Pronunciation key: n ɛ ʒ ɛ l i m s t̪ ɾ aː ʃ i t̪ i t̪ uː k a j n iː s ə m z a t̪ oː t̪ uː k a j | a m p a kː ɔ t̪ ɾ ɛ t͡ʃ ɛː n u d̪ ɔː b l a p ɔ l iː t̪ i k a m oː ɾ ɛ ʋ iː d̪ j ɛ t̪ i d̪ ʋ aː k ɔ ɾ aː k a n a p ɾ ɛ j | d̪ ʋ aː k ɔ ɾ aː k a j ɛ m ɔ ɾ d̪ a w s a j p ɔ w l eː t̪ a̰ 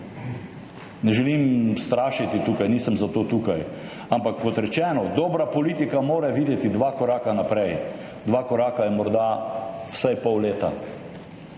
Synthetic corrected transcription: n ɛ ʒ ɛ l i m s t̪ ɾ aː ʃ i t̪ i t̪ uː k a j n iː s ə m z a t̪ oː t̪ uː k a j | a m p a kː ɔ t̪ ɾ ɛ t͡ʃ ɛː n ɔ d̪ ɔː b ɾ a p ɔ l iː t̪ i k a m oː ɾ ɛ ʋ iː d̪ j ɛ t̪ i d̪ ʋ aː k ɔ ɾ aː k a n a p ɾ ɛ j | d̪ ʋ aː k ɔ ɾ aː k a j ɛ m ɔ ɾ d̪ a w s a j p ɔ w l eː t̪ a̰

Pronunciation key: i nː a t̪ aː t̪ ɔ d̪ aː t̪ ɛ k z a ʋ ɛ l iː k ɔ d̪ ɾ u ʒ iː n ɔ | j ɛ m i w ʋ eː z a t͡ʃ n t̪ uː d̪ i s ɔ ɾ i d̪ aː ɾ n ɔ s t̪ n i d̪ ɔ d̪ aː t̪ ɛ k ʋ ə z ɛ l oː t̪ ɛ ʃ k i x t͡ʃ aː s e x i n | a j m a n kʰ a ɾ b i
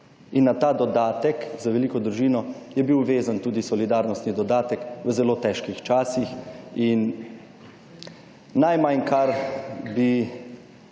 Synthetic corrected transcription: i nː a t̪ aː d̪ ɔ d̪ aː t̪ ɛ k z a ʋ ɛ l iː k ɔ d̪ ɾ u ʒ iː n ɔ | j ɛ b i w ʋ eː z a n t̪ uː d̪ i s ɔ l i d̪ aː ɾ n ɔ s t̪ n i d̪ ɔ d̪ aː t̪ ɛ k ʋ ə z ɛ l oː t̪ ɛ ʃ k i x t͡ʃ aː s i x i n | a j m a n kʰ a ɾ b i

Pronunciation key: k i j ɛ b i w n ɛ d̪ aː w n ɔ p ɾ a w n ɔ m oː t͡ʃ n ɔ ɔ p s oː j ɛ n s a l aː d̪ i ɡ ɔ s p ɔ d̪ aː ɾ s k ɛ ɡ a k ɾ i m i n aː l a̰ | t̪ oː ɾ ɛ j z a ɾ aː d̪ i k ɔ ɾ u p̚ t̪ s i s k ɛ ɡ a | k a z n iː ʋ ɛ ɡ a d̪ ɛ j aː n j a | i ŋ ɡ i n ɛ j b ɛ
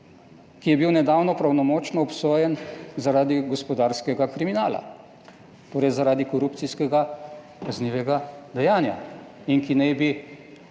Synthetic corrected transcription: k i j ɛ b i w n ɛ d̪ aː w n ɔ p ɾ a w n ɔ m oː t͡ʃ n ɔ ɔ p s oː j ɛ n z a ɾ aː d̪ i ɡ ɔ s p ɔ d̪ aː ɾ s k ɛ ɡ a k ɾ i m i n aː l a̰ | t̪ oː ɾ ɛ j z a ɾ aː d̪ i k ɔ ɾ u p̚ t̪ s i s k ɛ ɡ a | k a z n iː ʋ ɛ ɡ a d̪ ɛ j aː n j a | i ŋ k i n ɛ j b i

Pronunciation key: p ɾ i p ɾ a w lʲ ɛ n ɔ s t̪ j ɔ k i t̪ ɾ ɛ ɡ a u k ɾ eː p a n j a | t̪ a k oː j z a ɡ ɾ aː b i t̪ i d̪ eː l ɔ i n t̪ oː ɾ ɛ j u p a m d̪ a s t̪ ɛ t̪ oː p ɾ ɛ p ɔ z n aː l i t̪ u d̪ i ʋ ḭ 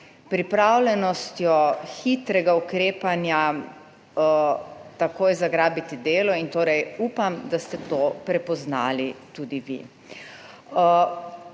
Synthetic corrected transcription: p ɾ i p ɾ a w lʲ ɛ n ɔ s t̪ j ɔ x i t̪ ɾ ɛ ɡ a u k ɾ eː p a n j a | t̪ a k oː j z a ɡ ɾ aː b i t̪ i d̪ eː l ɔ i n t̪ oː ɾ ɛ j u p a m d̪ a s t̪ ɛ t̪ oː p ɾ ɛ p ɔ z n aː l i t̪ u d̪ i ʋ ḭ

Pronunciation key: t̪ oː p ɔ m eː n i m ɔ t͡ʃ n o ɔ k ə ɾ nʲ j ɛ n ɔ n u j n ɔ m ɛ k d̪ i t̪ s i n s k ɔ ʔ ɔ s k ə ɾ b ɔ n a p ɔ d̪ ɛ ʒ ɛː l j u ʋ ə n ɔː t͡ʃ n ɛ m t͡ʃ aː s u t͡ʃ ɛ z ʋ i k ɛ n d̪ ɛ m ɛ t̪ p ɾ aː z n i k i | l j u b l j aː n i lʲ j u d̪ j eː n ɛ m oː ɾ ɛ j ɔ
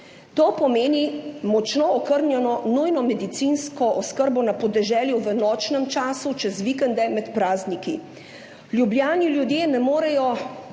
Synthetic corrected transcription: t̪ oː p ɔ m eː n i m ɔ t͡ʃ n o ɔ k ə ɾ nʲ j ɛ n ɔ n u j n ɔ m ɛ d̪ i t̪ s i n s k ɔ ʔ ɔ s k ə ɾ b ɔ n a p ɔ d̪ ɛ ʒ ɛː l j u ʋ ə n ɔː t͡ʃ n ɛ m t͡ʃ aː s u t͡ʃ ɛ z ʋ i k ɛ n d̪ ɛ m ɛ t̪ p ɾ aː z n i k i | l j u b l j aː n i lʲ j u d̪ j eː n ɛ m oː ɾ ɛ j ɔ

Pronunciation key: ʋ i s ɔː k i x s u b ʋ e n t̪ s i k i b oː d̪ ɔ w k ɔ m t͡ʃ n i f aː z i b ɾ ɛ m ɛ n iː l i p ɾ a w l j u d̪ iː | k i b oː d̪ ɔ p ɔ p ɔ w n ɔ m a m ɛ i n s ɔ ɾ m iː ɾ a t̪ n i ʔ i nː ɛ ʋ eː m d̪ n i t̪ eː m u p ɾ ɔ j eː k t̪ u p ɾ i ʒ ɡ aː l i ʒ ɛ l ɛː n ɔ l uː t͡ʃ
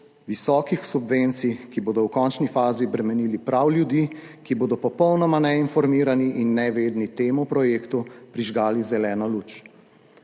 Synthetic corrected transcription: ʋ i s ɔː k i x s u b ʋ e n t̪ s i k i b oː d̪ ɔ w k ɔ n t͡ʃ n i f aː z i b ɾ ɛ m ɛ n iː l i p ɾ a w l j u d̪ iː | k i b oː d̪ ɔ p ɔ p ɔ w n ɔ m a n ɛ i n f ɔ ɾ m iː ɾ a n i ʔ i nː ɛ ʋ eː d̪ n i t̪ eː m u p ɾ ɔ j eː k t̪ u p ɾ i ʒ ɡ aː l i z ɛ l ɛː n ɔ l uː t͡ʃ

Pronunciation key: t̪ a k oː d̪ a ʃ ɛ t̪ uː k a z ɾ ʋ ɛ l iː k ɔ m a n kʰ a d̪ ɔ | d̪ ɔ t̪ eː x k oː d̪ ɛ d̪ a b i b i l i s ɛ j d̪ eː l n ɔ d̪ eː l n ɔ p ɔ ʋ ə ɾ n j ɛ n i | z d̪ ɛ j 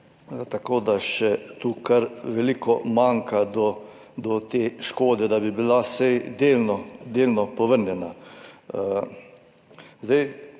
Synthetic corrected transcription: t̪ a k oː d̪ a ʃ ɛ t̪ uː k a ɾ ʋ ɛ l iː k ɔ m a ŋ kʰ a d̪ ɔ | d̪ ɔ t̪ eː ʃ k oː d̪ ɛ d̪ a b i b i l a s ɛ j d̪ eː l n ɔ d̪ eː l n ɔ p ɔ ʋ ə ɾ n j ɛ n a | z d̪ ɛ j

